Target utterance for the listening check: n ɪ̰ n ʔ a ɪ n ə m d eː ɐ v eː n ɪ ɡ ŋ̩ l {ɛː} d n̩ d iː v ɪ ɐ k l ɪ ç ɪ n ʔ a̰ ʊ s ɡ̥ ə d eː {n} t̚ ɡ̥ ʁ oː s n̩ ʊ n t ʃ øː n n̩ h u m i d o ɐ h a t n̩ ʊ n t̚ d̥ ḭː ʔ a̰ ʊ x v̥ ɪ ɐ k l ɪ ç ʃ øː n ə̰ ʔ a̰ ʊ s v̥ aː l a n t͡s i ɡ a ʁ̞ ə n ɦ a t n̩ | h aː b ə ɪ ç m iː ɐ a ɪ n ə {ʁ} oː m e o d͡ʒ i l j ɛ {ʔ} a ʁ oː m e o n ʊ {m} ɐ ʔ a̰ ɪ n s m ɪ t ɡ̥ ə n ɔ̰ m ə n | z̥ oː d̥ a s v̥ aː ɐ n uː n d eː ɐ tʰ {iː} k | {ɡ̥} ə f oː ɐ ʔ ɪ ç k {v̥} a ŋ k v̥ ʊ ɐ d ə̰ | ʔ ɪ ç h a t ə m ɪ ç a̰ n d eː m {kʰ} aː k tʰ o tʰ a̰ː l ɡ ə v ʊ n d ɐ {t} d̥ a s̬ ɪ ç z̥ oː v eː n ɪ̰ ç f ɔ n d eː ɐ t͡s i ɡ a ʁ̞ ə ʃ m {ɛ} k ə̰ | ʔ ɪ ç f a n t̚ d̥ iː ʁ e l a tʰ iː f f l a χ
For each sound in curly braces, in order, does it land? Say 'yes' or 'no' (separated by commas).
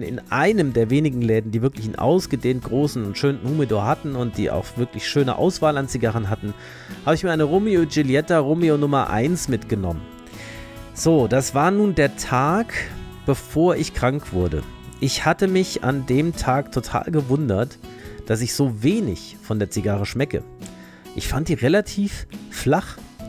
yes, yes, yes, no, yes, no, no, no, no, yes, yes